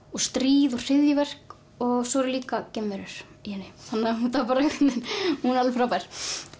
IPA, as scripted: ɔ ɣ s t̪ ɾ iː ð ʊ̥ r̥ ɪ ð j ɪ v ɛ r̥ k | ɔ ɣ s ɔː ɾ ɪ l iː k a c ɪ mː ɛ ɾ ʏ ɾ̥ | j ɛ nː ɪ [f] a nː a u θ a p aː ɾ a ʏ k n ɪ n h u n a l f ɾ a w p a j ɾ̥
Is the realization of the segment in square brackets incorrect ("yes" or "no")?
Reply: yes